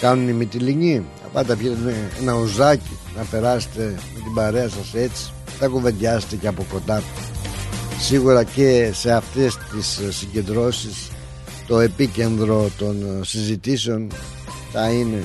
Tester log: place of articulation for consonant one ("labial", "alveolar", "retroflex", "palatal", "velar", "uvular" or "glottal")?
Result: velar